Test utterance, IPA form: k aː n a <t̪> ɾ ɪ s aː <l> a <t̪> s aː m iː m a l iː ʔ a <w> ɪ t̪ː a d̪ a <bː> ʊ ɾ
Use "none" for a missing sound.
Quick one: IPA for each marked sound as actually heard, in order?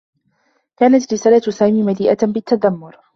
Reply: t̪, l, t̪, b, mː

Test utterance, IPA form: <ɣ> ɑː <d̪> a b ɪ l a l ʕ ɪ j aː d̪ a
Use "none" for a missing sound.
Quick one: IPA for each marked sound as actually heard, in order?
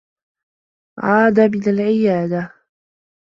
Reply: ʕ, d̪

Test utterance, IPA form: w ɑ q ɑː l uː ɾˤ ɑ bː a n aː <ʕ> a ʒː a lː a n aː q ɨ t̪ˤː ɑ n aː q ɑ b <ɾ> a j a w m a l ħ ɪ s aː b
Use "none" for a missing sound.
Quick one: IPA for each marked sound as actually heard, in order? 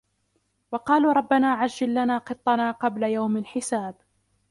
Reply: ʕ, l

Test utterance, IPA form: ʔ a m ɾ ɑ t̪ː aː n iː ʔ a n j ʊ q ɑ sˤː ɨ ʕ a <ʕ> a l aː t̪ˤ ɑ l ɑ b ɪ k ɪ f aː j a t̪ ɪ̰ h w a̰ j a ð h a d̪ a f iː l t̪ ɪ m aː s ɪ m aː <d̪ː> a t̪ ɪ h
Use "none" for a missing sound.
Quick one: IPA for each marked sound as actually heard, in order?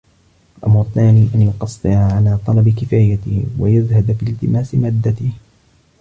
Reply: ʕ, d̪ː

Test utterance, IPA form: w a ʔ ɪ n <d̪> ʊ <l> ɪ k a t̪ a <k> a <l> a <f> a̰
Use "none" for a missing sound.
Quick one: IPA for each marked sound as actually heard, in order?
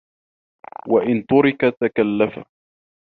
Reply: t̪, ɾ, k, lː, f

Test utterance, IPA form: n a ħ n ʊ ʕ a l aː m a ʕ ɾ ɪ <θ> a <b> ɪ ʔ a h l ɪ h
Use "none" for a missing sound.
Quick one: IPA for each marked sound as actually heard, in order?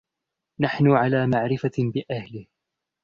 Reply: f, b

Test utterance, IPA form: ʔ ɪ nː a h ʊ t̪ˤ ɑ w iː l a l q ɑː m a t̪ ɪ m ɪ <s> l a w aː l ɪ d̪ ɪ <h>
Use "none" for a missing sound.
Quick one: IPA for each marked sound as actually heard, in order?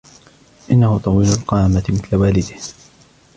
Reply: θ, h

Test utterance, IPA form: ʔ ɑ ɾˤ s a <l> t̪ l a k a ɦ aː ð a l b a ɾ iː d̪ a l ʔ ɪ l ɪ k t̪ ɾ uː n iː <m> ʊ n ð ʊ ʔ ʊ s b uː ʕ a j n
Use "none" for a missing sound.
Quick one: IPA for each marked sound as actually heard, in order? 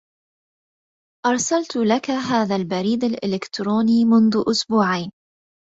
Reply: l, m

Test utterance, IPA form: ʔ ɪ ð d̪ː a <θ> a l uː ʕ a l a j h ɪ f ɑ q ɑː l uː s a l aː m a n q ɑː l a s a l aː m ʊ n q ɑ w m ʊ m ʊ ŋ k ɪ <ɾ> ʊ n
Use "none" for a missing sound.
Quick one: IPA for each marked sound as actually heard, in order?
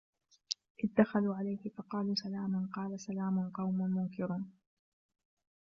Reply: x, ɾ

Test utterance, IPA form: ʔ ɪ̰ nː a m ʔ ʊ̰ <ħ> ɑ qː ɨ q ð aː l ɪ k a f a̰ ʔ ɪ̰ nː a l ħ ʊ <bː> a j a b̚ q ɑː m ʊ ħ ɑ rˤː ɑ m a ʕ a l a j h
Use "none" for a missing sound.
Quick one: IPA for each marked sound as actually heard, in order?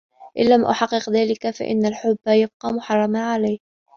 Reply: ħ, bː

